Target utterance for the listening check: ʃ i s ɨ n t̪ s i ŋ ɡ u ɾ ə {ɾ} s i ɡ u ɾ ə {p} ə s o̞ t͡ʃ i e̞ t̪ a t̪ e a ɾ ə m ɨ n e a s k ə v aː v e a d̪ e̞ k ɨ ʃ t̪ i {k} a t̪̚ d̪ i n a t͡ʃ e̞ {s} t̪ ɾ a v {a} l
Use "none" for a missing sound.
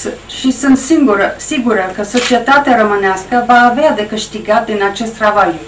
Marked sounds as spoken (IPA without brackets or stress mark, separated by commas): none, k, ɡ, s, a